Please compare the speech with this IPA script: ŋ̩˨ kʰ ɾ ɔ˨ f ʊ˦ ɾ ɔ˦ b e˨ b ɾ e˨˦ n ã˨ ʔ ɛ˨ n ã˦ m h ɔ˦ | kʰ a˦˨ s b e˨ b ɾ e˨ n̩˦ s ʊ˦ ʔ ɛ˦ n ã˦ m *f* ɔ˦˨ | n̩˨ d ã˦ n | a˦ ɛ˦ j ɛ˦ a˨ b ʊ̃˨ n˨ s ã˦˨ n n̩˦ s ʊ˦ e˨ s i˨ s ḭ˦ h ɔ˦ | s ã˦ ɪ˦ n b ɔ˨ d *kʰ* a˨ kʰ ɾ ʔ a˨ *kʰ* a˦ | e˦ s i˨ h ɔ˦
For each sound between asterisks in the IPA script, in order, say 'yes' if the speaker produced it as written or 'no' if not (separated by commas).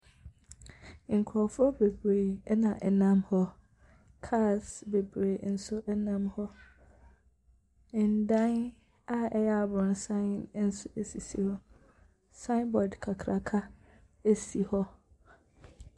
no, yes, yes